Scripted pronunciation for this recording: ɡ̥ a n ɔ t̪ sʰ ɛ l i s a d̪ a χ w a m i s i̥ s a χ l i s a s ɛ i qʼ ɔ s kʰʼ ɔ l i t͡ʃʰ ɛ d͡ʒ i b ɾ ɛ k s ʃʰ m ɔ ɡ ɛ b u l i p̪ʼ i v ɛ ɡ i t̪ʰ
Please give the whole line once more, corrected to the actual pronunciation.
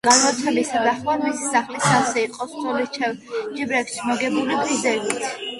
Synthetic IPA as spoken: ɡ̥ a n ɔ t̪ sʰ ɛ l i s a d̪ a χ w a m i s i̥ s a χ l i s a s ɛ i qʼ ɔ s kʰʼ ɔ l i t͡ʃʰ ɛ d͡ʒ i b ɾ ɛ k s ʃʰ m ɔ ɡ ɛ b u l i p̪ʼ i z ɛ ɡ i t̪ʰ